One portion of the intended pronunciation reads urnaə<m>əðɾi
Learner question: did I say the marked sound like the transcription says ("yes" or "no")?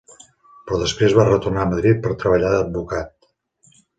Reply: yes